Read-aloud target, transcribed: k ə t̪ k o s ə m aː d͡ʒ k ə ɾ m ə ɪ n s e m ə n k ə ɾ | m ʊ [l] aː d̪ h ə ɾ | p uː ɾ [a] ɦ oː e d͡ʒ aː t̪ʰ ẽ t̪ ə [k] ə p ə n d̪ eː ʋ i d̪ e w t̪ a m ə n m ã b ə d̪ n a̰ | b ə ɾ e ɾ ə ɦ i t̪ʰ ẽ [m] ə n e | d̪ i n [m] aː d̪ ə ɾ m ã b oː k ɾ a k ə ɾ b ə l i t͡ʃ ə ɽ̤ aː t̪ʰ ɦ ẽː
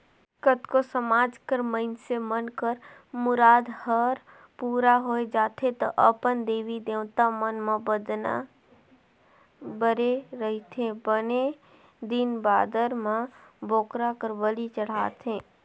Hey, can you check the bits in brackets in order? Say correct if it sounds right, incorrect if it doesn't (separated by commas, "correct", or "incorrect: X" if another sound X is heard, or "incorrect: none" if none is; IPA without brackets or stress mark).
incorrect: ɾ, correct, incorrect: ʔ, incorrect: b, incorrect: b